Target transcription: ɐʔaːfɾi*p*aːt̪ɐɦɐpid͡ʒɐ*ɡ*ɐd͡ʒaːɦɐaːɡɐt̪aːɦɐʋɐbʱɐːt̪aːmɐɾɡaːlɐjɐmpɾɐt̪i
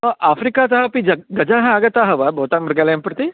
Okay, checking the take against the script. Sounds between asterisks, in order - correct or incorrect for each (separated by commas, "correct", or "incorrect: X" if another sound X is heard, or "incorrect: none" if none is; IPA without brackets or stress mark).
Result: incorrect: k, correct